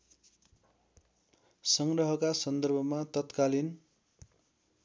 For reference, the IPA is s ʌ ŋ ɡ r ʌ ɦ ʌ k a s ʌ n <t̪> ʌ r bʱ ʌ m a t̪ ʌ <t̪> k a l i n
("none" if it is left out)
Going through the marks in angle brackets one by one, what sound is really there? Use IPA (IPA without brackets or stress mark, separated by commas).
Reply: d̪, t̪